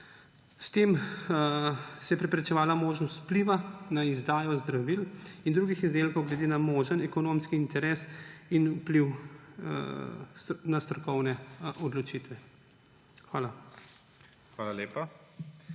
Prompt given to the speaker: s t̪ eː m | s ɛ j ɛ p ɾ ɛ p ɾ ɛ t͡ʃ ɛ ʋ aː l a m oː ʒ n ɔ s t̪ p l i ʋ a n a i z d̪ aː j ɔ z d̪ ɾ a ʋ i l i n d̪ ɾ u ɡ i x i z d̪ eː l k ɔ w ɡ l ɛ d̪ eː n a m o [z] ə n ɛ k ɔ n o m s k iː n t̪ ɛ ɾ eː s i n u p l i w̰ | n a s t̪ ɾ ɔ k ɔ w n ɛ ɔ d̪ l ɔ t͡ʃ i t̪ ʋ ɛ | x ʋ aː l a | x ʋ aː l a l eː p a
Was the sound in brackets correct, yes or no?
no